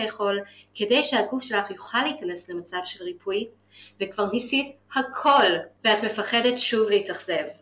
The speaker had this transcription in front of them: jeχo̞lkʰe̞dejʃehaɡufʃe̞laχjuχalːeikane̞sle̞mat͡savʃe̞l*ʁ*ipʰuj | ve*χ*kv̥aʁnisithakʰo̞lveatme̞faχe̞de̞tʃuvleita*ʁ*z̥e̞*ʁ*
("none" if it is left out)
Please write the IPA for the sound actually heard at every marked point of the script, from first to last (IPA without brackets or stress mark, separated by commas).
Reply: ʁ, none, χ, v